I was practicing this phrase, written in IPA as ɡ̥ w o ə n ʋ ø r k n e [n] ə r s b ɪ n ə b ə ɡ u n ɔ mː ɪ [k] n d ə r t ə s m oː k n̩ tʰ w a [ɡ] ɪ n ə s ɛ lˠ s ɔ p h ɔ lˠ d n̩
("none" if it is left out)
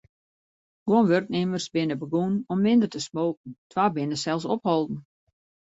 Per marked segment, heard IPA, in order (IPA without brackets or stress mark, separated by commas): m, none, b